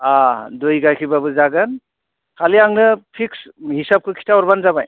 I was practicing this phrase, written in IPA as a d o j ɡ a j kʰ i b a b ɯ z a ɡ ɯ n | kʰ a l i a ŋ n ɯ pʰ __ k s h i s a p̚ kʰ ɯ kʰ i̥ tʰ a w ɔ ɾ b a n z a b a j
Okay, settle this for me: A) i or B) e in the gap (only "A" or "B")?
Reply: A